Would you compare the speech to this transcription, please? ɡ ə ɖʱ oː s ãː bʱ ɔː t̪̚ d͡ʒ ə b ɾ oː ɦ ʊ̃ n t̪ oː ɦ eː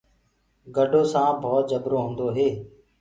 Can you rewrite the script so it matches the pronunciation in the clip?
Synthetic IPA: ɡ ə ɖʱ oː s ãː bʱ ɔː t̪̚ d͡ʒ ə b ɾ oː ɦ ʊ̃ n d̪ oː ɦ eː